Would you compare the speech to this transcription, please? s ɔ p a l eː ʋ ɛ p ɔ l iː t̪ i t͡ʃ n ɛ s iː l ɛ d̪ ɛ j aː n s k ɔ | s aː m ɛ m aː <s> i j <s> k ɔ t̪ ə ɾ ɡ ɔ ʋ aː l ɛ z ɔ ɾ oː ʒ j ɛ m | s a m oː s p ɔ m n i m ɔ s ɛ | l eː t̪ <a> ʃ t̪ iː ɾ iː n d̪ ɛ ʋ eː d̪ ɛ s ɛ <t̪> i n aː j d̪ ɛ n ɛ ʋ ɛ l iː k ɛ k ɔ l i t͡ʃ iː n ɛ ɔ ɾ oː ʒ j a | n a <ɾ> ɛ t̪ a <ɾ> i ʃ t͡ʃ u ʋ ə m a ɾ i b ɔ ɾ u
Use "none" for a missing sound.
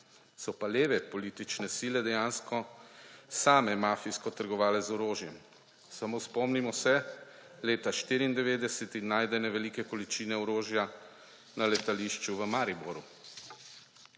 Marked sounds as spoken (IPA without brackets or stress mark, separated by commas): f, s, a, t̪, l, l